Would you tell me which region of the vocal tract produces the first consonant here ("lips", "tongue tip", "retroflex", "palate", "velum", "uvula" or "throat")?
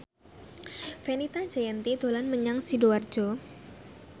lips